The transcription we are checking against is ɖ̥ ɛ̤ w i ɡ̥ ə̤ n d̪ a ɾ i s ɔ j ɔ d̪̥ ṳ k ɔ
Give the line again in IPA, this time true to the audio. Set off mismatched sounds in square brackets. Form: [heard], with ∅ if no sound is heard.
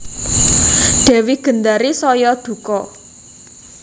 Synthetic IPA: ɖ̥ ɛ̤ w i ɡ̥ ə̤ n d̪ a ɾ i s ɔ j ɔ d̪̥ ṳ k ɔ

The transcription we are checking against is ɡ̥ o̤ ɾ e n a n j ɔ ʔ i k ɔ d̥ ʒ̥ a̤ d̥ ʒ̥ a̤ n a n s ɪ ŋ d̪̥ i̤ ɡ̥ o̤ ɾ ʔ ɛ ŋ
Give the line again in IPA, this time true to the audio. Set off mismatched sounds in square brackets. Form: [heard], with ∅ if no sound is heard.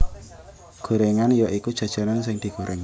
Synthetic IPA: ɡ̥ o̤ ɾ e [ŋ] a n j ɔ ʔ i k [u] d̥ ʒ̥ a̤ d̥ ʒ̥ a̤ n a n s ɪ ŋ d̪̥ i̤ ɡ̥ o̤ ɾ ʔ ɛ ŋ

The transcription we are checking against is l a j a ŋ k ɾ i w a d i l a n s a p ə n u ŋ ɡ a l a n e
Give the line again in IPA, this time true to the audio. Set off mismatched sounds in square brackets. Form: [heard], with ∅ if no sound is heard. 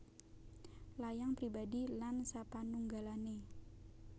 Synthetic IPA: l a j a ŋ [p] ɾ i [b] a d i l a n s a p [a] n u ŋ ɡ a l a n e

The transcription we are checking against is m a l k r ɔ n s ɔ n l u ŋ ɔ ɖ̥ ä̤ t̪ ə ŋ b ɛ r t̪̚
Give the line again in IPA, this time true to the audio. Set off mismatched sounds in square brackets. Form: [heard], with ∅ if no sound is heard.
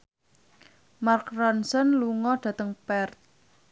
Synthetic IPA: m a [r] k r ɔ n s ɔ n l u ŋ ɔ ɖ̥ ä̤ t̪ ə ŋ [p] ɛ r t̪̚

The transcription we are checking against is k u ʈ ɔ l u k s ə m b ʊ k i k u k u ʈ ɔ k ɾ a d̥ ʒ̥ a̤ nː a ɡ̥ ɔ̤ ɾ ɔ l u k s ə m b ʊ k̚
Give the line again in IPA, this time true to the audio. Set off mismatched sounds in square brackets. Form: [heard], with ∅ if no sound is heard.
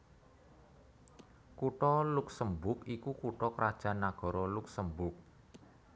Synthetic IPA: k u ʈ ɔ l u k s ə m b ʊ k i k u k u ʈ ɔ k ɾ a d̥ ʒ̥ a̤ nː a ɡ̥ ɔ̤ ɾ ɔ l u k s ə m b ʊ k̚

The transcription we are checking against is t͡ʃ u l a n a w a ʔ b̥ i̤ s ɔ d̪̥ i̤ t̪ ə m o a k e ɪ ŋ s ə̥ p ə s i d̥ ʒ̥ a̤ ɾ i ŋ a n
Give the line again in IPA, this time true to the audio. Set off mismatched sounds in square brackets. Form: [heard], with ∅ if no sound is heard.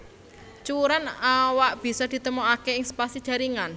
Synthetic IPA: t͡ʃ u [ɾ] a n a w a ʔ b̥ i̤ s ɔ d̪̥ i̤ t̪ ə m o a k e ɪ ŋ s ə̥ p [a] s i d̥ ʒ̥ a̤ ɾ i ŋ a n

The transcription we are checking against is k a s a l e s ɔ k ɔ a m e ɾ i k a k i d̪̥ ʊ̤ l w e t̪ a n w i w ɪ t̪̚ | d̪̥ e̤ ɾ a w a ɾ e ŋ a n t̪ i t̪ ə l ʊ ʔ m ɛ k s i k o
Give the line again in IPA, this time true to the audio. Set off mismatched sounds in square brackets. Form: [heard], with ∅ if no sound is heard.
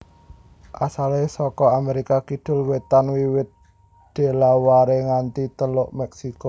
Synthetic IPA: [ʔ] a s a l e s ɔ k ɔ a m e ɾ i k a k i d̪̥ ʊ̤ l w e t̪ a n w i w ɪ t̪̚ | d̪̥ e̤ [l] a w a ɾ e ŋ a n t̪ i t̪ ə l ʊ ʔ m ɛ k s i k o

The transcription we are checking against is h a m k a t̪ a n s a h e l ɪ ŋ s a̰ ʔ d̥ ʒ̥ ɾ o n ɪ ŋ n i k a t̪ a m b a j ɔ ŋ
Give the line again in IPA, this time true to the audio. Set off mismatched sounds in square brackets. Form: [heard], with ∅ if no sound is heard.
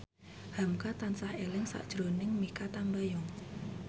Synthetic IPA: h a m k a t̪ a n s a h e l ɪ ŋ s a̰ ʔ d̥ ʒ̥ ɾ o n ɪ ŋ [m] i k a t̪ a m b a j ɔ ŋ

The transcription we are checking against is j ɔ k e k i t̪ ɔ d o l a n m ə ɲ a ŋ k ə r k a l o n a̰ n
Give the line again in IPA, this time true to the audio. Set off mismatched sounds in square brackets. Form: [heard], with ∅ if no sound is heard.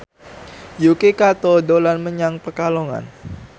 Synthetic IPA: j [u] k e k [a] t̪ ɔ d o l a n m ə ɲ a ŋ [p] ə r k a l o [ŋ] a̰ n

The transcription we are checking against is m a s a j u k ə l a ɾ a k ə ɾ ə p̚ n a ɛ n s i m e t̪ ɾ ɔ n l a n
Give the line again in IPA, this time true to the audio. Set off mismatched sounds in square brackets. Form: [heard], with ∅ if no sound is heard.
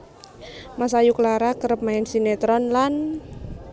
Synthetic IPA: m a s a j u k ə l a ɾ a k ə ɾ ə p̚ [m] a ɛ n s i [n] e t̪ ɾ ɔ n l a n

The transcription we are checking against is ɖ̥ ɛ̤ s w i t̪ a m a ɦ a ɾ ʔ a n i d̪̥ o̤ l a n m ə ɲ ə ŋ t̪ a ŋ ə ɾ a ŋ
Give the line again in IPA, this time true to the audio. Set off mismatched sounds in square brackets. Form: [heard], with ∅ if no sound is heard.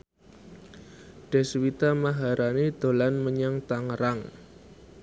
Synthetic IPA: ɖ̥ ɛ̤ s w i t̪ a m a ɦ a ɾ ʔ a n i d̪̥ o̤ l a n m ə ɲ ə ŋ t̪ a ŋ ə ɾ a ŋ

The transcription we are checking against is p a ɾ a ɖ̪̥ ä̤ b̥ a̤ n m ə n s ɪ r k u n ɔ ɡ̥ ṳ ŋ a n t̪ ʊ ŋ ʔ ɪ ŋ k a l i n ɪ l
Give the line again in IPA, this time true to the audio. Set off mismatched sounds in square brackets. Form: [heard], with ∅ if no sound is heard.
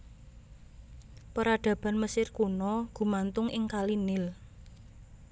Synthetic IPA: p [ə] ɾ a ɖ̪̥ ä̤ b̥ a̤ n m ə [∅] s ɪ r k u n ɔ ɡ̥ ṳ [m] a n t̪ ʊ ŋ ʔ ɪ ŋ k a l i n ɪ l

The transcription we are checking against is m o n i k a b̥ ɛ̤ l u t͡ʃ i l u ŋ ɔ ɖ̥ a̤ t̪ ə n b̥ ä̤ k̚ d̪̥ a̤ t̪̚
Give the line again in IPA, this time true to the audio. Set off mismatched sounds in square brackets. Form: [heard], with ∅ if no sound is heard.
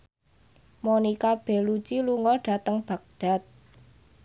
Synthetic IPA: m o n i k a b̥ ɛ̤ l u t͡ʃ i l u ŋ ɔ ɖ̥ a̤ t̪ ə [ŋ] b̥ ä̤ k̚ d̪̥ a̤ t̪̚

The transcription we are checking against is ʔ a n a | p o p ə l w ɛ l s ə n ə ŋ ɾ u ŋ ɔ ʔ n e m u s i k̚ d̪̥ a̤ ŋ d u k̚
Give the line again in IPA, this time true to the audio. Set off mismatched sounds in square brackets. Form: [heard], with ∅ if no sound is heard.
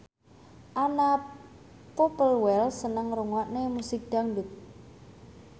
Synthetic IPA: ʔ a n a | p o p ə l w ɛ l s ə n ə ŋ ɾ u ŋ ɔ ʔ n e m u s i k̚ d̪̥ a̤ ŋ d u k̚

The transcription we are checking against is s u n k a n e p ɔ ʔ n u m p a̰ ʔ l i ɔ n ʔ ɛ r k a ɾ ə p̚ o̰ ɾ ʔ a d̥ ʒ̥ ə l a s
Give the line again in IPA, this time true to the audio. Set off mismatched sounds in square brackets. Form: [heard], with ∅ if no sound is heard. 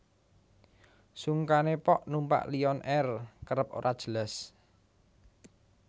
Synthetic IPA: s u [ŋ] k a n e p ɔ ʔ n u m p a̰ ʔ l i ɔ n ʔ ɛ r k [ə] ɾ ə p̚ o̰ ɾ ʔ a d̥ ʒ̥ ə l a s

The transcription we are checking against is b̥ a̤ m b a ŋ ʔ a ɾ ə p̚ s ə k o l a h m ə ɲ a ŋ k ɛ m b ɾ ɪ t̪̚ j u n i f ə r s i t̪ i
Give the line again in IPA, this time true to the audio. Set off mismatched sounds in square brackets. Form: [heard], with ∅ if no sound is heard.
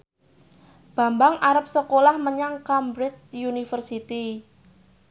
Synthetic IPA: b̥ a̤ m b a ŋ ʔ a ɾ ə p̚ s ə k o l a h m ə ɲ a ŋ k [a] m b ɾ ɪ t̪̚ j u n i f ə r s i t̪ i

